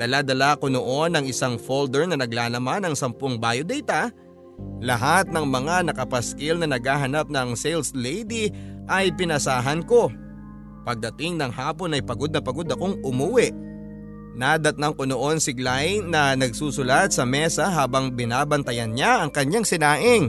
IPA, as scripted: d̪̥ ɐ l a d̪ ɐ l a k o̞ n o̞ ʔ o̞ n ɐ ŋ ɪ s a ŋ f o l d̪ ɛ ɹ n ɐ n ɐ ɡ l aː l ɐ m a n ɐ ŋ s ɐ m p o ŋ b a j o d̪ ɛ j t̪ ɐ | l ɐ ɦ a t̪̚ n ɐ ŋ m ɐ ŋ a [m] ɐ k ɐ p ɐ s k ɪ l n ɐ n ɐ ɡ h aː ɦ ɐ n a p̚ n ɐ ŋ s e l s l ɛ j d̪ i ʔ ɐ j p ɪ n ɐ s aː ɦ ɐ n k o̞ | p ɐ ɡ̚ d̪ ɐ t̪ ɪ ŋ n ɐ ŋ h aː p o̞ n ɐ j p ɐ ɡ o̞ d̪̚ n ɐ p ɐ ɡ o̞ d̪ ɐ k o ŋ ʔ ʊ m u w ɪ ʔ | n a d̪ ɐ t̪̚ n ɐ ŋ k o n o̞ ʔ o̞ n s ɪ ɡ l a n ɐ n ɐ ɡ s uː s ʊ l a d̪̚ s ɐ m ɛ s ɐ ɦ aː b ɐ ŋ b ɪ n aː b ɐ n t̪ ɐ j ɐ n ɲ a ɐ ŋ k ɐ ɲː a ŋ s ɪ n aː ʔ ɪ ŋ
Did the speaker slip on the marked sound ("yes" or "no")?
yes